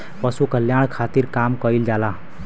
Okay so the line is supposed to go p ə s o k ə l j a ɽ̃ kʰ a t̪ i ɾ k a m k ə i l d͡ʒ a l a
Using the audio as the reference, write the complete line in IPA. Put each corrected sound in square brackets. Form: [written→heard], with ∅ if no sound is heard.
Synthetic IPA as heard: p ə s [o→u] k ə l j a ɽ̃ kʰ a t̪ i ɾ k a m k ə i l d͡ʒ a l a